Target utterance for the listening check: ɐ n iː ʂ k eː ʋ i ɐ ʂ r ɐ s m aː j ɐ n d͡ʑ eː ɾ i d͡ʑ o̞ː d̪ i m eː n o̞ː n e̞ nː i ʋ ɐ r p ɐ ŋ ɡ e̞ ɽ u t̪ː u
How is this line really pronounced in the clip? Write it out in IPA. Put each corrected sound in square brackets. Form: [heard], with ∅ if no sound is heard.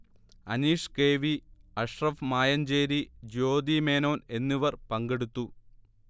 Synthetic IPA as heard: ɐ n iː ʂ k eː ʋ i ɐ ʂ r ɐ [f] m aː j ɐ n d͡ʑ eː ɾ i d͡ʑ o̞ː d̪ i m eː n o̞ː n e̞ nː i ʋ ɐ r p ɐ ŋ ɡ e̞ ɽ u t̪ː u

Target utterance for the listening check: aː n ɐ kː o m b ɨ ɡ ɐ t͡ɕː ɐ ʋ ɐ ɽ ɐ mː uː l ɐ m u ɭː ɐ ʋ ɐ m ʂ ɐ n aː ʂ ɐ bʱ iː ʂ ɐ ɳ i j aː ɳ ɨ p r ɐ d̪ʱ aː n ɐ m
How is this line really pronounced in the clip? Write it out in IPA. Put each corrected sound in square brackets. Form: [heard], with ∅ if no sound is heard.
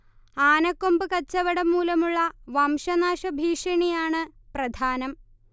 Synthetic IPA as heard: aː n ɐ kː o m b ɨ [k] ɐ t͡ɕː ɐ ʋ ɐ ɽ ɐ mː uː l ɐ m u ɭː ɐ ʋ ɐ m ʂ ɐ n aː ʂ ɐ bʱ iː ʂ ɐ ɳ i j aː ɳ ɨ p r ɐ d̪ʱ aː n ɐ m

